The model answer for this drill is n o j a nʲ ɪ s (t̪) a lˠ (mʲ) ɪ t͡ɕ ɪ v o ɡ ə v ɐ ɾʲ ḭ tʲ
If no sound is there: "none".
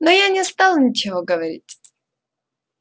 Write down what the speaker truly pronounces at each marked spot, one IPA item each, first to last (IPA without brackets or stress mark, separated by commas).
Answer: t̪, nʲ